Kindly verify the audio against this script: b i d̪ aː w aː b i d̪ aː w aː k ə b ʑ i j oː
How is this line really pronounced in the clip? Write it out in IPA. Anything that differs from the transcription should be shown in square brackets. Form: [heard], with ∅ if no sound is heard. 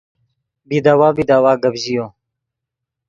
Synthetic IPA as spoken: b i d̪ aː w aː b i d̪ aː w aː [ɡ] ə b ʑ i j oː